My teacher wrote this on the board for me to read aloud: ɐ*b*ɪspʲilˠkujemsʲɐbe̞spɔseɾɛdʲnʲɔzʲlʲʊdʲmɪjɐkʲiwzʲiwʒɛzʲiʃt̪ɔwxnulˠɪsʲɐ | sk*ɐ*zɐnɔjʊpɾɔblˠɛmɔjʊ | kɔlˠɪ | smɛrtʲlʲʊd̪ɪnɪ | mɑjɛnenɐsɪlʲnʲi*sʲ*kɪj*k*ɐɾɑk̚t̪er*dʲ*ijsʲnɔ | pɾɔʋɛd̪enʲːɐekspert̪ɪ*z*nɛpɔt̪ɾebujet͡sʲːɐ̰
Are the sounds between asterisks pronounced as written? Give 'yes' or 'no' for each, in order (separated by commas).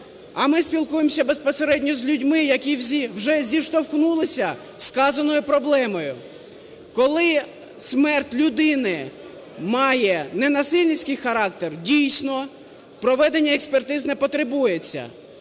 no, no, yes, no, yes, yes